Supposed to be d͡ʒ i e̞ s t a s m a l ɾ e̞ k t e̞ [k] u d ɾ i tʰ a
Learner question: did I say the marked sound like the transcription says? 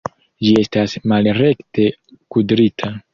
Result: yes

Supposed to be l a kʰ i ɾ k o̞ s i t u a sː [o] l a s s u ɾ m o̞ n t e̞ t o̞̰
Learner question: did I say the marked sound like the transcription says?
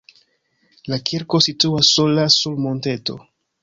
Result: yes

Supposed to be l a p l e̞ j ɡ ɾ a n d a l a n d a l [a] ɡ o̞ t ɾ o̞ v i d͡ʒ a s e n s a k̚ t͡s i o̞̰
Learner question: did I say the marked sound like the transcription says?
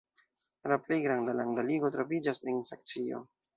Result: no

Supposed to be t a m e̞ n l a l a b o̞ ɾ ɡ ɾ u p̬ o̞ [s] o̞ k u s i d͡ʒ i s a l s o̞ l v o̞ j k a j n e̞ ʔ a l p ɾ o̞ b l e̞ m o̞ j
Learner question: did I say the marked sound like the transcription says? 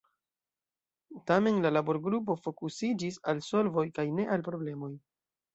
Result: no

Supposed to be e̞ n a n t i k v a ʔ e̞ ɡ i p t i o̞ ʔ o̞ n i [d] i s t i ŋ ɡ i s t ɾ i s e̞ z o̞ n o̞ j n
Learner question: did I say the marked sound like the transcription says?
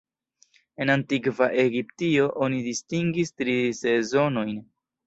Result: yes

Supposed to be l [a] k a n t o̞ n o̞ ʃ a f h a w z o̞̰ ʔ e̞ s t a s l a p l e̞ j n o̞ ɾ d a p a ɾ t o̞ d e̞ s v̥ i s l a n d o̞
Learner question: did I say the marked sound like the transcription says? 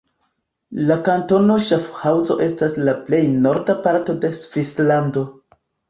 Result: yes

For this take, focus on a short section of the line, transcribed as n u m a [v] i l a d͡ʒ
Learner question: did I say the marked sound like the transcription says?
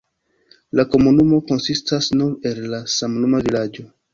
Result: yes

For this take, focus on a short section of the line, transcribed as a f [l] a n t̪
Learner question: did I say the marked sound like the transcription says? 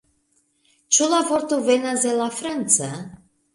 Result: no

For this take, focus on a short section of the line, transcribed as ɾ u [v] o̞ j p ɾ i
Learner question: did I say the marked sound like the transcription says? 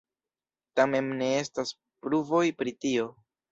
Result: yes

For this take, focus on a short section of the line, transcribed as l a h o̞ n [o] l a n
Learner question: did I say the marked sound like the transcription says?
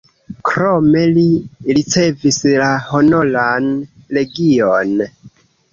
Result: yes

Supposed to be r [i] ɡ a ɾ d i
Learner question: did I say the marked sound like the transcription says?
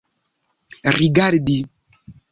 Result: yes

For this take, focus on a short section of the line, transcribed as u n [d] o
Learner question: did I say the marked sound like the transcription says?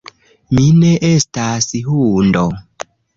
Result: yes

